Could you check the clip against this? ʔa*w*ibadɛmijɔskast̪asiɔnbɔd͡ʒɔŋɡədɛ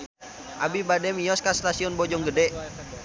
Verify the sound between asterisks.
incorrect: b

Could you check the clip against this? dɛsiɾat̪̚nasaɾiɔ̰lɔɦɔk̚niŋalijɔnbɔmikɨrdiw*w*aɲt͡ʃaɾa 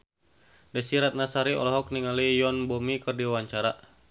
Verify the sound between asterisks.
correct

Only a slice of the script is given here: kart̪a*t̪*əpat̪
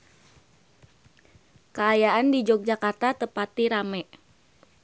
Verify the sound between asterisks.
correct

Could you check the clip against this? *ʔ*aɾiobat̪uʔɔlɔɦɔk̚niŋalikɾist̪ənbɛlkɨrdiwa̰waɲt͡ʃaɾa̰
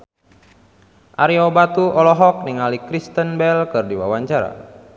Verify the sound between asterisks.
correct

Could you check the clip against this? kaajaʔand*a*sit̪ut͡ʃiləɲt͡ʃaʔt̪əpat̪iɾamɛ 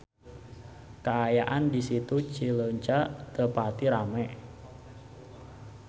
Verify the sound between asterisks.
incorrect: i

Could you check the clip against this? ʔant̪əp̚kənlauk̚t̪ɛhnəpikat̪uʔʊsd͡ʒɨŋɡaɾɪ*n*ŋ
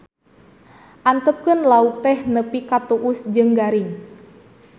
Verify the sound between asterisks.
incorrect: none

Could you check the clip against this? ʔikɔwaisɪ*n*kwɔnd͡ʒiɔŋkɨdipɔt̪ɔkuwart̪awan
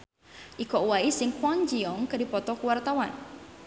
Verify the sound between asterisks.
incorrect: ŋ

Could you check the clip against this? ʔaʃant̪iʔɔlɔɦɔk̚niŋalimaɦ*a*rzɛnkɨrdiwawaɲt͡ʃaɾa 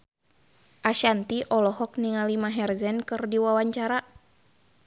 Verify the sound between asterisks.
incorrect: ɛ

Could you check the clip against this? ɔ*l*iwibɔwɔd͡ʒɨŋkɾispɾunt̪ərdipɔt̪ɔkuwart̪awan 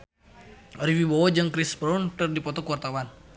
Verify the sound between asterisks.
incorrect: ɾ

